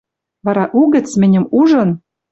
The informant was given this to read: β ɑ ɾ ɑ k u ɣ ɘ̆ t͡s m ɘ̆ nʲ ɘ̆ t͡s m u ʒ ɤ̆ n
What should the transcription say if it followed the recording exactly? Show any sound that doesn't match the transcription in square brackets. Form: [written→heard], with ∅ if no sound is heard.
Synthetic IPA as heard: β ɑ ɾ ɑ [k→ʔ] u ɣ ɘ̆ t͡s m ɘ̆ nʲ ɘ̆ [t͡s→∅] m u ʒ ɤ̆ n